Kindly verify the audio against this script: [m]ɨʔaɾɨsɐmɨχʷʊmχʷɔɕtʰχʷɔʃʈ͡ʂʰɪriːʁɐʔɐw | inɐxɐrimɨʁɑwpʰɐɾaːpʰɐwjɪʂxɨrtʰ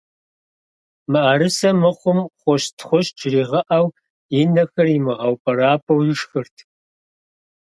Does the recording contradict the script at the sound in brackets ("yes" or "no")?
no